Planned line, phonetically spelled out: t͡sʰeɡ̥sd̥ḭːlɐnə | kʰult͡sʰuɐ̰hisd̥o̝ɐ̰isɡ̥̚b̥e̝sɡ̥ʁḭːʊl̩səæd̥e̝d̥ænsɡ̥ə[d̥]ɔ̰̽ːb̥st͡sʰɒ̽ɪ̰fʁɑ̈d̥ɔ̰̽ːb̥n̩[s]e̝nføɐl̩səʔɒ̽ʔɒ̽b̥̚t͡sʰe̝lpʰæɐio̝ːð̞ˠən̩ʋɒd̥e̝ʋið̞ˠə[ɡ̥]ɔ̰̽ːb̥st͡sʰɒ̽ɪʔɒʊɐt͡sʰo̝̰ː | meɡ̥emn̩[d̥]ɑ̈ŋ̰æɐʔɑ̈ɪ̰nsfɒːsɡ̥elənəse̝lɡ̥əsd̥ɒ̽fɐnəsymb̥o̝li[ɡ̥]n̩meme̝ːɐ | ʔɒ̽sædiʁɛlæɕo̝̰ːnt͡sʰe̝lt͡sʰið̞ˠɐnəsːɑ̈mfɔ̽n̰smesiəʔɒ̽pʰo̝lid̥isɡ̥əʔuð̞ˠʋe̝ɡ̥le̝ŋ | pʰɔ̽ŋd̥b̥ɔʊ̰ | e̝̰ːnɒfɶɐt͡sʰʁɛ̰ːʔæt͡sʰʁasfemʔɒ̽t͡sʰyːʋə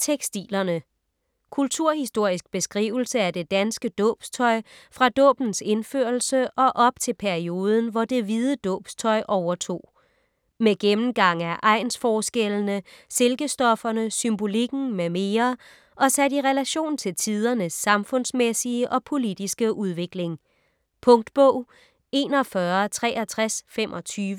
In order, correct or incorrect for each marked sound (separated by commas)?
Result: correct, correct, incorrect, incorrect, correct